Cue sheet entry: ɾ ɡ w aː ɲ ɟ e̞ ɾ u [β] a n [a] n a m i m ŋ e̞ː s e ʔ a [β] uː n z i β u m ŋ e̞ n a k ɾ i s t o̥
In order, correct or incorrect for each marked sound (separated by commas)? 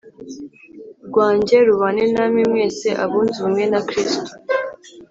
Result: correct, incorrect, correct